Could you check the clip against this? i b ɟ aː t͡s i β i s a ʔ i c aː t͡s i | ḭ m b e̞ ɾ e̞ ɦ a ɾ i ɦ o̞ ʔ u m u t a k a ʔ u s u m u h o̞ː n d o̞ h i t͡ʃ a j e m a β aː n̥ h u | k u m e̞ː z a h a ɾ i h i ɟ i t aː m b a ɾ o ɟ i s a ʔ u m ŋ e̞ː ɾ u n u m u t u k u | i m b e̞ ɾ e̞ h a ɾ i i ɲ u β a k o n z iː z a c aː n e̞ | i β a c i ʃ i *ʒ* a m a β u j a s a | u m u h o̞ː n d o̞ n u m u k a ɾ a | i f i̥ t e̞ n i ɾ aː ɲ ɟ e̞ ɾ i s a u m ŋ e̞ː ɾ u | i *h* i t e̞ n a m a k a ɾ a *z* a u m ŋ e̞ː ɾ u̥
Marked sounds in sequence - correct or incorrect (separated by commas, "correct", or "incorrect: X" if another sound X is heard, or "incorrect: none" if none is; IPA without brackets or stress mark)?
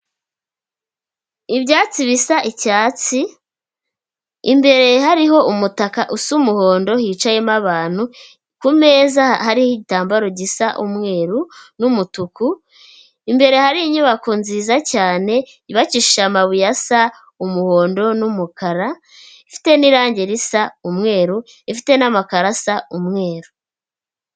incorrect: ʃ, incorrect: f, incorrect: s